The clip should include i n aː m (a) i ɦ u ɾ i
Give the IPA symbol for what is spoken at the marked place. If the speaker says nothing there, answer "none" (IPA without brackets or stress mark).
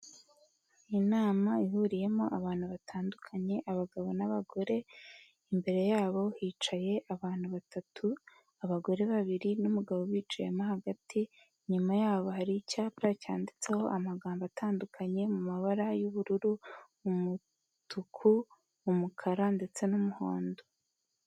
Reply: a